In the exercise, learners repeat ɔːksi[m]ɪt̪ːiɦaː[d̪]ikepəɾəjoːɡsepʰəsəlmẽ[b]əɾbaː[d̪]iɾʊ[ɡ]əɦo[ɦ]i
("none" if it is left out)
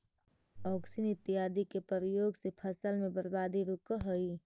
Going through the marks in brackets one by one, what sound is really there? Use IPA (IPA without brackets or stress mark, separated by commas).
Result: n, d̪, b, d̪, k, none